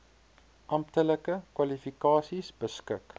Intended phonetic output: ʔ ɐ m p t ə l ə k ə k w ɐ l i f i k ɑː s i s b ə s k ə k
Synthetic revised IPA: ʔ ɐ m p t ə l ə k ə k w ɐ l i f i k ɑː s i s b ə s k ə k

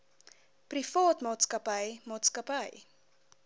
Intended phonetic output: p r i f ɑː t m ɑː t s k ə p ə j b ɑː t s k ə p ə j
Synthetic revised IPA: p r i f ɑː t m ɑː t s k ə p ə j m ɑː t s k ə p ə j

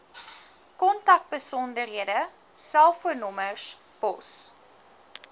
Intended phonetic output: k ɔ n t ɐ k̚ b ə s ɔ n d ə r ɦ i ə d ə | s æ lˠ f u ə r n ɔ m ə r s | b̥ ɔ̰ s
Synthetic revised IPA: k ɔ n t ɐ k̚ b ə s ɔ n d ə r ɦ i ə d ə | s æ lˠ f u ə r n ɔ m ə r s | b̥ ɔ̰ s

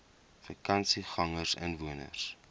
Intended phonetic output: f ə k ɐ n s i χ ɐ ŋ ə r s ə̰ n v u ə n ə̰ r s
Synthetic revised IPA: f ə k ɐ n s i χ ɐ ŋ ə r s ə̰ n v u ə n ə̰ r s

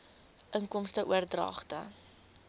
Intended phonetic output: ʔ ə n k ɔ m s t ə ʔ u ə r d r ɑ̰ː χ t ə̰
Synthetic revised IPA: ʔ ə ŋ k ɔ m s t ə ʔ u ə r d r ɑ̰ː χ t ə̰

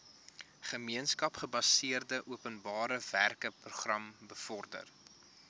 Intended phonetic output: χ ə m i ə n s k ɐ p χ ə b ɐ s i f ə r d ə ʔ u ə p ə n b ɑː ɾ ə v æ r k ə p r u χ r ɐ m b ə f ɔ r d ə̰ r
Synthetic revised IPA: χ ə m i ə n s k ɐ p χ ə b ɐ s i ə r d ə ʔ u ə p ə n b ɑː ɾ ə v æ r k ə p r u χ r ɐ m b ə f ɔ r d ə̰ r

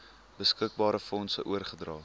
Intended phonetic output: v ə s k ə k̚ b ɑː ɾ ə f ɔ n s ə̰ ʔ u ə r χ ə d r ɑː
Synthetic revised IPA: b ə s k ə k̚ b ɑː ɾ ə f ɔ n s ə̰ ʔ u ə r χ ə d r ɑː

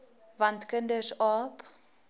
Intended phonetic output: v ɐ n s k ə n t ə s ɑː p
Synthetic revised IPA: v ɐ n t k ə n d ə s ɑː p

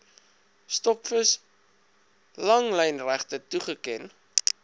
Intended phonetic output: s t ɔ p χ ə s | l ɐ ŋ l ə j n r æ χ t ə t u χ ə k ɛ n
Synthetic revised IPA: s t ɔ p f ə s | l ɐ ŋ l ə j n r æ χ t ə t u χ ə k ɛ n

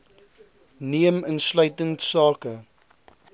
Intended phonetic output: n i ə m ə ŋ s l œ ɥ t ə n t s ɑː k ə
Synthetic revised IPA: n i ə m ə n s l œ ɥ t ə n t s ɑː k ə

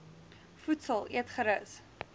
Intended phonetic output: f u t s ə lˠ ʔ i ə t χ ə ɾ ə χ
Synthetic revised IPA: f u t s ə lˠ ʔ i ə t χ ə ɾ ə s

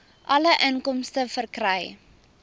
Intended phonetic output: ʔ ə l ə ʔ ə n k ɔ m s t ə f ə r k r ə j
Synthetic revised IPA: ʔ ɐ l ə ʔ ə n k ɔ m s t ə f ə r k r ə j

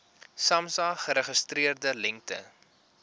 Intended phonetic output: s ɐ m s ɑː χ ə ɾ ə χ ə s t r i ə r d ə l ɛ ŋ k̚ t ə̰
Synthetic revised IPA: s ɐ m s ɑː χ ə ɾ ə χ ə s t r i ə r d ə l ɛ ŋ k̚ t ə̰

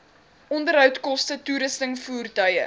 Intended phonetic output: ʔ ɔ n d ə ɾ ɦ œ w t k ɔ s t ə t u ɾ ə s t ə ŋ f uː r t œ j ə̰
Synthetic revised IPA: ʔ ɔ n d ə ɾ ɦ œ w t k ɔ s t ə t u ɾ ə s t ə ŋ f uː r t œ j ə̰

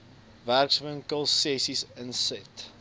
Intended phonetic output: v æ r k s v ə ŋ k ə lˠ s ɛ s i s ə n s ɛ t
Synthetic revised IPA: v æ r k s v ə ŋ k ə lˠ s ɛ s i s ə n s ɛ t

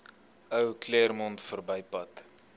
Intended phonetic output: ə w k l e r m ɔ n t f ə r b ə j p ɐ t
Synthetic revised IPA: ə w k l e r m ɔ n t f ə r b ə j p ɐ t

